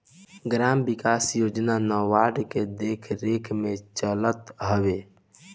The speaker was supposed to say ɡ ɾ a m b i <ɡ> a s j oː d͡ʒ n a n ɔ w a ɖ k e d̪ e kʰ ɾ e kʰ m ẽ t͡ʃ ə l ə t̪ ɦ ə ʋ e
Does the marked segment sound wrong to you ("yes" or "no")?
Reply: yes